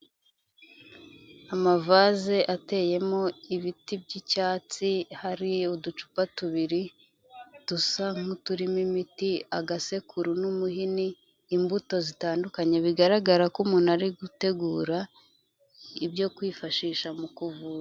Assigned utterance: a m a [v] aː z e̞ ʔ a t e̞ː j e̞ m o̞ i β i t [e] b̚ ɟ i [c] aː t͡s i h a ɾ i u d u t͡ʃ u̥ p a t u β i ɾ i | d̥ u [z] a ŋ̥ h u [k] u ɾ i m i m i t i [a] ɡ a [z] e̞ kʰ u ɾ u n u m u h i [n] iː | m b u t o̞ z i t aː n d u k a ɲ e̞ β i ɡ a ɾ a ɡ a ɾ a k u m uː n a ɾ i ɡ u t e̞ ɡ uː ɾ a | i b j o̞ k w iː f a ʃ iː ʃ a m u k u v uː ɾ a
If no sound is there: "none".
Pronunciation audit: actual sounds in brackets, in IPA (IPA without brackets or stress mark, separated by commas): v, i, c, s, t, a, s, n